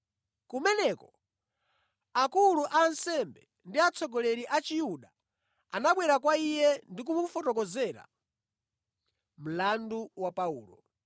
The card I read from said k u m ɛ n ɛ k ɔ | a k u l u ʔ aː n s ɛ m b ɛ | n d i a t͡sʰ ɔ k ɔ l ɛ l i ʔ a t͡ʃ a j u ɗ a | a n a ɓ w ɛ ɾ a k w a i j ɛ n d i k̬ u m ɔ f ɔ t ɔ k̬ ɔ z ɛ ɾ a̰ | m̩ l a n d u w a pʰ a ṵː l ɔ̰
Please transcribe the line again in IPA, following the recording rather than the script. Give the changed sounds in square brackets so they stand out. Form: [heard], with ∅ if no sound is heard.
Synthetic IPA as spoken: k u m ɛ n ɛ k ɔ | a k u l u ʔ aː n s ɛ m b ɛ | n d i a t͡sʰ ɔ [ɡ] ɔ l ɛ [ɾ] i ʔ a t͡ʃ [i] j u ɗ a | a n a ɓ w ɛ ɾ a k w a i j ɛ n d i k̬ u m [u] f ɔ t ɔ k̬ ɔ z ɛ ɾ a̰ | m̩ l a n d u w a [p] a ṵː l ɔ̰